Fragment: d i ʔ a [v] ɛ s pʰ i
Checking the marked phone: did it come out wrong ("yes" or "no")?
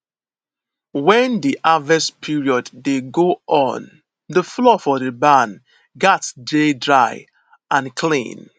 no